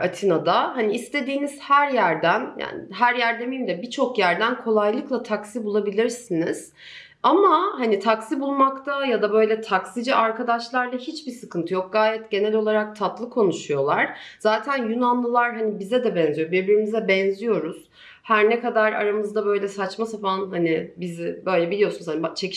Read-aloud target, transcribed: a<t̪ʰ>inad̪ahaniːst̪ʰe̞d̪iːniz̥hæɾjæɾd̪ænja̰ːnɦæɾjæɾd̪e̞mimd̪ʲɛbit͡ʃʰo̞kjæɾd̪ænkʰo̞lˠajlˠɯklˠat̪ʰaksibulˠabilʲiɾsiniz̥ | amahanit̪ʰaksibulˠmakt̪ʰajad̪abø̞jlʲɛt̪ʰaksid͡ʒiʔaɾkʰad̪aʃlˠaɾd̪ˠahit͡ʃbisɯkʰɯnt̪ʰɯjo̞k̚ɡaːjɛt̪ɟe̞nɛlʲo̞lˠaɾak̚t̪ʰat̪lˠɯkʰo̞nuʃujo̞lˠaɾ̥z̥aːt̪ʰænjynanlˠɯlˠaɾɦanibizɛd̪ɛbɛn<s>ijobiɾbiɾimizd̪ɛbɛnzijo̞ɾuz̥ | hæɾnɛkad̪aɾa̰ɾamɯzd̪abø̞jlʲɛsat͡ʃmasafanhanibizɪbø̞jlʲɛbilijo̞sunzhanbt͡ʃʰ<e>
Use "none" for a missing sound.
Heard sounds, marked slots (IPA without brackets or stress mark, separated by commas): t̪ʰ, z, e